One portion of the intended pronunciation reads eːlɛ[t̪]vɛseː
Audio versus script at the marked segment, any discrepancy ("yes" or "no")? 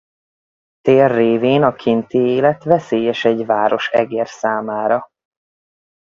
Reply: no